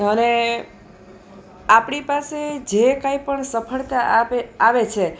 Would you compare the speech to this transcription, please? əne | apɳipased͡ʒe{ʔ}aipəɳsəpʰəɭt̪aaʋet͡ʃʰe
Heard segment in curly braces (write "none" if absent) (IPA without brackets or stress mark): k